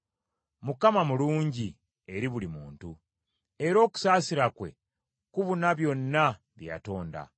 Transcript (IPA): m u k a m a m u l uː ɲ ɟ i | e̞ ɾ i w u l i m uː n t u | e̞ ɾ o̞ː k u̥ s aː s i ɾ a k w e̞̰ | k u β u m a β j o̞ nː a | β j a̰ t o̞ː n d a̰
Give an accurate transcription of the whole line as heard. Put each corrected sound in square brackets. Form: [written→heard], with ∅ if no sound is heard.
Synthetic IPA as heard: m u k a m a m u l uː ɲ ɟ i | e̞ ɾ i [w→β] u l i m uː n t u | e̞ ɾ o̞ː k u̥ s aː s i ɾ a k w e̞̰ | k u β u [m→n] a β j o̞ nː a | β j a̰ t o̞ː n d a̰